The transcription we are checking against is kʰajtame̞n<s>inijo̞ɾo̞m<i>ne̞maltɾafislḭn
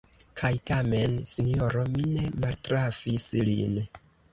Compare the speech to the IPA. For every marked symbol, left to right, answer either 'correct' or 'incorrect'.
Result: correct, correct

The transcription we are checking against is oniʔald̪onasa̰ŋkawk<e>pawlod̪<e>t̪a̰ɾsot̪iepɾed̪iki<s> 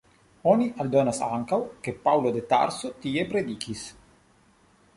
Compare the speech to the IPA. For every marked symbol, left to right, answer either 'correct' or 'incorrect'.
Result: correct, correct, correct

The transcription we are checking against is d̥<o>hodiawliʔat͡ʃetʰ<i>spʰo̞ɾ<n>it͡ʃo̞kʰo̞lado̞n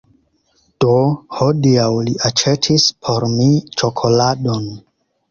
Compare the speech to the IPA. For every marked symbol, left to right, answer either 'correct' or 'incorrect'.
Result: correct, correct, incorrect: m

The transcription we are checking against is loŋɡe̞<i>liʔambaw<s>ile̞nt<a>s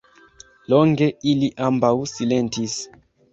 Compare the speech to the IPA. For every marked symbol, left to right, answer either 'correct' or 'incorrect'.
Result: correct, correct, incorrect: i

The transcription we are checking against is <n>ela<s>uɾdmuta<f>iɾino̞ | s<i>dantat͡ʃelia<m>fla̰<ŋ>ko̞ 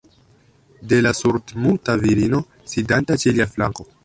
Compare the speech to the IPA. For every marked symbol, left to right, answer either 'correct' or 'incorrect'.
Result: incorrect: d, correct, incorrect: v, correct, incorrect: none, correct

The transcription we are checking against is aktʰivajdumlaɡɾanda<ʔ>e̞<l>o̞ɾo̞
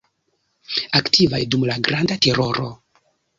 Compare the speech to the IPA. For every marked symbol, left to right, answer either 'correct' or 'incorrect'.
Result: incorrect: t, incorrect: ɾ

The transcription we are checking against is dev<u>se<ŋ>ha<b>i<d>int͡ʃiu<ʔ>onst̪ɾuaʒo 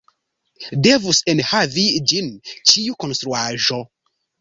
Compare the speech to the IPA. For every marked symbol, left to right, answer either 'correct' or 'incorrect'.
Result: correct, incorrect: n, incorrect: v, incorrect: d͡ʒ, incorrect: k

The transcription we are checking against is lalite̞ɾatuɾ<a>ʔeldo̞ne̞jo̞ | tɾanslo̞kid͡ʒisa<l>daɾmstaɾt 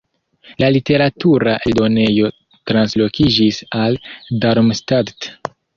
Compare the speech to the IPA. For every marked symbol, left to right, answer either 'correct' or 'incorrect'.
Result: correct, correct

